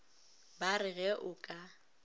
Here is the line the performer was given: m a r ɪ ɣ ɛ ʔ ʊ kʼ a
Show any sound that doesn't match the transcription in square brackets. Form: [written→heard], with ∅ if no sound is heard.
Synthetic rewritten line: [m→b] a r ɪ ɣ ɛ ʔ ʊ kʼ a

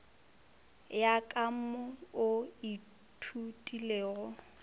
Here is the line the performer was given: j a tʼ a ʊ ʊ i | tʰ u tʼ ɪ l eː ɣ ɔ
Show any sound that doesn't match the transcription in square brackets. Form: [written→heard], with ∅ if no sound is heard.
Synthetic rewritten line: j a [tʼ→kʼ] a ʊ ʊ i | tʰ u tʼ [ɪ→i] l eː ɣ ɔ

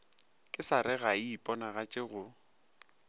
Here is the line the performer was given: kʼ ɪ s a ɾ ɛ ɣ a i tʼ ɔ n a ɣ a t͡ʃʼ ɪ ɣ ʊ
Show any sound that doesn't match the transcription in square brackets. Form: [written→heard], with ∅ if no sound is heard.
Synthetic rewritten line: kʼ ɪ s a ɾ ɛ ɣ a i [tʼ→pʼ] ɔ n a ɣ a t͡ʃʼ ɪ ɣ ʊ

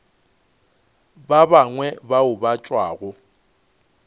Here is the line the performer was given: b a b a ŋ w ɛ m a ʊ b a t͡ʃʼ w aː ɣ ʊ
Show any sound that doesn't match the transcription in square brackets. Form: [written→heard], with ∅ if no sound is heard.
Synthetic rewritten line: b a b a ŋ w ɛ [m→b] a ʊ b a t͡ʃʼ w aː ɣ ʊ

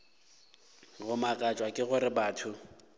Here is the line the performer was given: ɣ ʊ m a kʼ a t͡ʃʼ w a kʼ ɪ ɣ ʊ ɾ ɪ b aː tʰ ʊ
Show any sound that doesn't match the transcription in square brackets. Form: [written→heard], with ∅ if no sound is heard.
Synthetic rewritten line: ɣ ʊ m a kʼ a t͡ʃʼ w a kʼ ɪ ɣ ʊ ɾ ɪ b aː tʰ ʊ

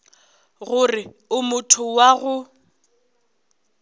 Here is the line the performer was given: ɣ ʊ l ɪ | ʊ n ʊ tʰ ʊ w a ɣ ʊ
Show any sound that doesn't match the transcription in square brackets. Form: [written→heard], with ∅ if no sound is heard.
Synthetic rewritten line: ɣ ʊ [l→r] ɪ | ʊ [n→m] ʊ tʰ ʊ w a ɣ ʊ

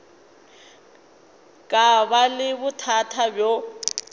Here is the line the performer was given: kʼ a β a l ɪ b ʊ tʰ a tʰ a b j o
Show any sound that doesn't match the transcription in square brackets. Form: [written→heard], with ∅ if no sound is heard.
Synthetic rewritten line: kʼ a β a l ɪ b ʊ tʰ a tʰ a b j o

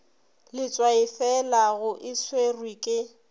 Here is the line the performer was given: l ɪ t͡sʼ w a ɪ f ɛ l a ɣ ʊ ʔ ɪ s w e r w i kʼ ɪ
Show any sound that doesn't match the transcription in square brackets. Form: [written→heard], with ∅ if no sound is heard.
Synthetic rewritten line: l ɪ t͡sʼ w a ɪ f ɛ l a ɣ ʊ ʔ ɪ s w e r w i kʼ ɪ

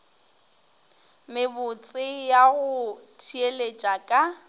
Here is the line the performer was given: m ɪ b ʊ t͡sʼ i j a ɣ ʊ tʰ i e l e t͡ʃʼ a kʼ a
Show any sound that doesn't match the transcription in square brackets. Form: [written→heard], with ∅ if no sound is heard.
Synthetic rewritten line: m ɪ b ʊ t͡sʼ [i→ɪ] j a ɣ ʊ tʰ i e l e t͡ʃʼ a kʼ a

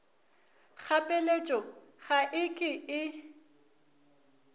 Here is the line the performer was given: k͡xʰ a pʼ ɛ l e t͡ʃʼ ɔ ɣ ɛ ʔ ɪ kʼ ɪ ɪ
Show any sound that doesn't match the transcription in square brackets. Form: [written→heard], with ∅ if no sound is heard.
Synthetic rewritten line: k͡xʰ a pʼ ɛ l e t͡ʃʼ ɔ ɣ [ɛ→a] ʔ ɪ kʼ ɪ ɪ

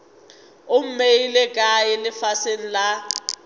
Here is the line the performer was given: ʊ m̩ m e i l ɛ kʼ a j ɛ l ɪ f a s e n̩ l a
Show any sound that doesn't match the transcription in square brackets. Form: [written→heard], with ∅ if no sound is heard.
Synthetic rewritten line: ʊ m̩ m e i l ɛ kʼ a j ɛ l ɪ f a s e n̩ l a

